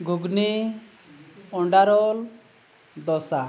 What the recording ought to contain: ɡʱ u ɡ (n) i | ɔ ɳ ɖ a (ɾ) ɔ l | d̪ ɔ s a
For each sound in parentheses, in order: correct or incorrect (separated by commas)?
correct, correct